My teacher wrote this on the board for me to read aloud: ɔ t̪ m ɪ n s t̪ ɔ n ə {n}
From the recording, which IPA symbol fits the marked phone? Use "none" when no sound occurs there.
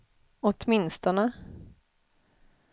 none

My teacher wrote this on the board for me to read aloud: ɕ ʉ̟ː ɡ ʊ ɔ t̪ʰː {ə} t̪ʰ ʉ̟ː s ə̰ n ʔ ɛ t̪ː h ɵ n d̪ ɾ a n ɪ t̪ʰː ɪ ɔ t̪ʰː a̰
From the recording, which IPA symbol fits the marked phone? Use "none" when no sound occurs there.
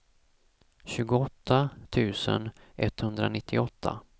a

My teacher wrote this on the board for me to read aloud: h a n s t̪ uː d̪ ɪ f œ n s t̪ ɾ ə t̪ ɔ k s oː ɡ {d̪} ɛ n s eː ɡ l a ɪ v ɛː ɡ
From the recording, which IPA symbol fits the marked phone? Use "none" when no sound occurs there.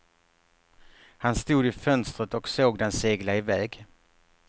d̪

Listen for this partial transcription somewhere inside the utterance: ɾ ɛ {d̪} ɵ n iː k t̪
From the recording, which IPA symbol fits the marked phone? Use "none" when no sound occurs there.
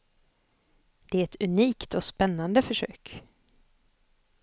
t̪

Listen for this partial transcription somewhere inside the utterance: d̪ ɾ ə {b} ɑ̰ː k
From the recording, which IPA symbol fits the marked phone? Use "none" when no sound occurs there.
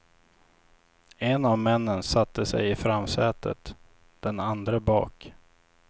b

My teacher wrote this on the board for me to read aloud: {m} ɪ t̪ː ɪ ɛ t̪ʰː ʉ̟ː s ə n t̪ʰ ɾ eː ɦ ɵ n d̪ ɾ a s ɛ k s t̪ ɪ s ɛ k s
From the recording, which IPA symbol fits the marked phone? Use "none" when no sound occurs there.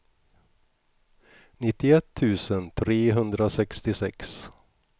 n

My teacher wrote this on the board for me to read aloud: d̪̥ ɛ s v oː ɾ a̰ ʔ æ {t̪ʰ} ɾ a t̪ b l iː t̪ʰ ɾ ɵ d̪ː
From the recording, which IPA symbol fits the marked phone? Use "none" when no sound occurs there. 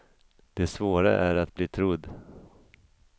none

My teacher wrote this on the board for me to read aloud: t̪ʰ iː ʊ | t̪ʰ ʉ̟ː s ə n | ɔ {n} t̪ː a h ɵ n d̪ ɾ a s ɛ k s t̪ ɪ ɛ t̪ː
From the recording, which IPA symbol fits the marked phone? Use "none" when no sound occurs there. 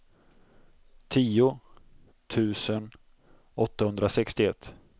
none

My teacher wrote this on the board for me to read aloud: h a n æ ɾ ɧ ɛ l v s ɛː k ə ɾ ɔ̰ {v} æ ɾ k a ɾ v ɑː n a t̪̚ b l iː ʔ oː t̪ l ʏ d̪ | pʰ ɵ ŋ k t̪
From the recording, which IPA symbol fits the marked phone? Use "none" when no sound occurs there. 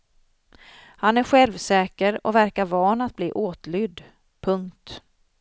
v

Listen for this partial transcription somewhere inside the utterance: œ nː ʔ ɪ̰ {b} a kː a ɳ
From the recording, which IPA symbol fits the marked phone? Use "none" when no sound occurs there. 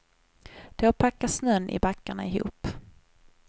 b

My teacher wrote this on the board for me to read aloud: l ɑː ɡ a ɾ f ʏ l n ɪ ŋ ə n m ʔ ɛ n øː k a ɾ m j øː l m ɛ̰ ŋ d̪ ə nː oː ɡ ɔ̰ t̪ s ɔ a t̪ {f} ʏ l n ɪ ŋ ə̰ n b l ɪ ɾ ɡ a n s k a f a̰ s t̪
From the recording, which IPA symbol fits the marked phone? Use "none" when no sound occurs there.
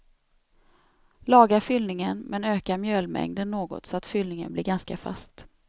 f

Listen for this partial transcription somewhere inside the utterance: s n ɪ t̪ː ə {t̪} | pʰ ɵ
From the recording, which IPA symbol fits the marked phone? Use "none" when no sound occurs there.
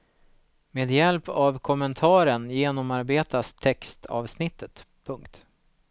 t̪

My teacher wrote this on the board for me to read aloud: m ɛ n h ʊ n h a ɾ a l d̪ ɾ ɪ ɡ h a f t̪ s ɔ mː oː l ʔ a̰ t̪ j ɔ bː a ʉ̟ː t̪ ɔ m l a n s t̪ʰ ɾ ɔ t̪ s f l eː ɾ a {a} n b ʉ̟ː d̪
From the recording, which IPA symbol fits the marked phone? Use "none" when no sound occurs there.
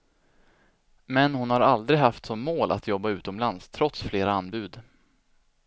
a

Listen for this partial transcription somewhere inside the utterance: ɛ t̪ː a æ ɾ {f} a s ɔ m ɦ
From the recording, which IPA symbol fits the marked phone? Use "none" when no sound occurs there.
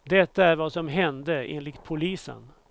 v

